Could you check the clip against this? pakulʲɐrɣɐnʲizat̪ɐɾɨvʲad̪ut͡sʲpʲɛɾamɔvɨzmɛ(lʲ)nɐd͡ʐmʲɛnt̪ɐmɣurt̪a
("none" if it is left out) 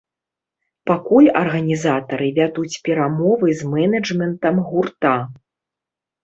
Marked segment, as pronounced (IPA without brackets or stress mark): none